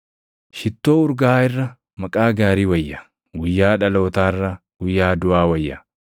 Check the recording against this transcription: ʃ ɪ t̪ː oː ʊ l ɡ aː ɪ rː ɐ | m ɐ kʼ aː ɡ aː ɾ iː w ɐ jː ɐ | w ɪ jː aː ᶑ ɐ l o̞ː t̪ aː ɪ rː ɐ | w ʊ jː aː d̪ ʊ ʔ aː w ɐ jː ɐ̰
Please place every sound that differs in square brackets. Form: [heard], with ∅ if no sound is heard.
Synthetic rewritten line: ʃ ɪ t̪ː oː ʊ [ɾ] ɡ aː ɪ rː ɐ | m ɐ kʼ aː ɡ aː ɾ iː w ɐ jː ɐ | w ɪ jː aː ᶑ ɐ l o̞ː t̪ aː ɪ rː ɐ | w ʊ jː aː d̪ ʊ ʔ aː w ɐ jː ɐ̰